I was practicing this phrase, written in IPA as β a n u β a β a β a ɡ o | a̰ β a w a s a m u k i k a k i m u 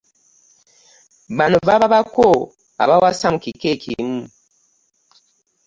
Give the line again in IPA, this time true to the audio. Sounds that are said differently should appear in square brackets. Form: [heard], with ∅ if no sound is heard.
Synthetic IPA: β a n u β a β a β a [k] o | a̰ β a w a s a m u k i k [e] k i m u